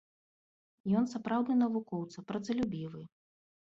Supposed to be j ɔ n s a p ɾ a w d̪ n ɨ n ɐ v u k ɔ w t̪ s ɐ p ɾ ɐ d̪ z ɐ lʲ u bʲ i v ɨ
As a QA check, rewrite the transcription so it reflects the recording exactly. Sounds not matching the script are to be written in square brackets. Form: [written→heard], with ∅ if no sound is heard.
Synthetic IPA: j ɔ n s a p ɾ a w d̪ n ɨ n ɐ v u k ɔ w t̪ s ɐ p ɾ ɐ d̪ z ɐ lʲ u bʲ i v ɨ